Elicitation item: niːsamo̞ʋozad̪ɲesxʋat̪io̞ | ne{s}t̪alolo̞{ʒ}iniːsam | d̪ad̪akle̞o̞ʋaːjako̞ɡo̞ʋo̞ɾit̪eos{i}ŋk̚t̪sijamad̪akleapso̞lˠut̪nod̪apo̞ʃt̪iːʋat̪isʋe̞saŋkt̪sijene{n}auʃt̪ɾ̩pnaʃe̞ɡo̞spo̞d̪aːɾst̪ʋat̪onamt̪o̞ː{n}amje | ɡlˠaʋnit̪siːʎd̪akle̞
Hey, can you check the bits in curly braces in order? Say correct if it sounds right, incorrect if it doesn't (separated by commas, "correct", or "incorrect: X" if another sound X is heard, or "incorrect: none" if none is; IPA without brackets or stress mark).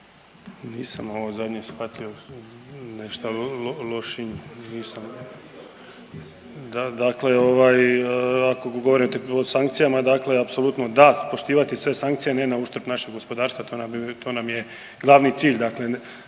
incorrect: ʃ, incorrect: ʃ, incorrect: a, correct, correct